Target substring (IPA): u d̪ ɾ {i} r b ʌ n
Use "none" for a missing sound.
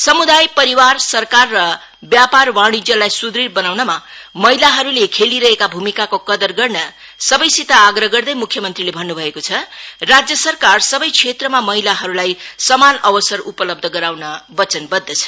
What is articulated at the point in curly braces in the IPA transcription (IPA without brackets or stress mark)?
i